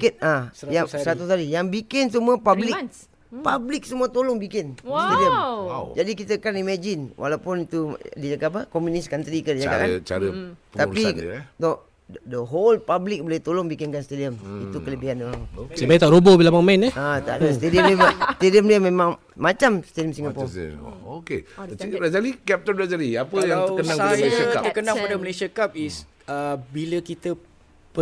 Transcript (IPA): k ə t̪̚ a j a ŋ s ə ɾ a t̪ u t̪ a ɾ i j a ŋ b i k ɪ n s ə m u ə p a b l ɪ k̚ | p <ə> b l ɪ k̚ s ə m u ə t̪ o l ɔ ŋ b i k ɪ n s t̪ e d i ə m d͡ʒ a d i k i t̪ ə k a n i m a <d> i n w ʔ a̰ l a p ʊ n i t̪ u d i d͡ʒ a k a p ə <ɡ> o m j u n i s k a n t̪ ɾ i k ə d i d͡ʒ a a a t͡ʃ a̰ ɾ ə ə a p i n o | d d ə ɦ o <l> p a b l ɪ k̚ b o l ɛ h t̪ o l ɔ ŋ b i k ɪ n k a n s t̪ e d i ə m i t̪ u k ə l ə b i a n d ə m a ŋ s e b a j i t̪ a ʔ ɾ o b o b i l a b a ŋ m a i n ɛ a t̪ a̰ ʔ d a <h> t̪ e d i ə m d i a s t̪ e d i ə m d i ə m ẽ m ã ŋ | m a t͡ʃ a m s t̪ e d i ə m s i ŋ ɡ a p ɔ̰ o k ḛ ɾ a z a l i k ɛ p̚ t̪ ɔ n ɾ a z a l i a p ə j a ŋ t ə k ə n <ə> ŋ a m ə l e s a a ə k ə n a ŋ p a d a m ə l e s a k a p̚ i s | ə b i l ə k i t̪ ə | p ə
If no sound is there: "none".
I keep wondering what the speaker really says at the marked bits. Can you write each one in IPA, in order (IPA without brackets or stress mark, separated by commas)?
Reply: a, d͡ʒ, k, l, s, a